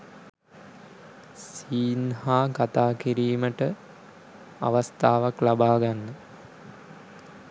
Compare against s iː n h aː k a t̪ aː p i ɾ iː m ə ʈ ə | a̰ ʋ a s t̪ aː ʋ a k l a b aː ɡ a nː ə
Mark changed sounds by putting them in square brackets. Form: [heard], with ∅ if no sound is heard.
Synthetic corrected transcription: s iː n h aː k a t̪ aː [k] i ɾ iː m ə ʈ ə | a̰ ʋ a s t̪ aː ʋ a k l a b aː ɡ a nː ə